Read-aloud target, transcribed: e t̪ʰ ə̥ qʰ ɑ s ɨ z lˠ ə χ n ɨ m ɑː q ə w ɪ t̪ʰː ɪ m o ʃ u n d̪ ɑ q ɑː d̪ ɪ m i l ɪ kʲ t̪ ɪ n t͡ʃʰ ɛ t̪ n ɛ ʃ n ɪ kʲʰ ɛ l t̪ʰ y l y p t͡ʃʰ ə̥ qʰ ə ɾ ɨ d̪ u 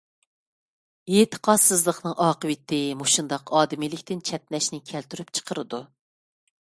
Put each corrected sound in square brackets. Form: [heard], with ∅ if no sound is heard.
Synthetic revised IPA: e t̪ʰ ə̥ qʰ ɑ s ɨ z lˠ ə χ n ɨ [ŋ] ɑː q ə w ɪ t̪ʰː ɪ m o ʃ u n d̪ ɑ q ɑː d̪ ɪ m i l ɪ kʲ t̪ ɪ n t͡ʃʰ ɛ t̪ n ɛ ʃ n ɪ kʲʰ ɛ l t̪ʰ y [ɾ] y p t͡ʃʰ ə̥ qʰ ə ɾ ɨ d̪ u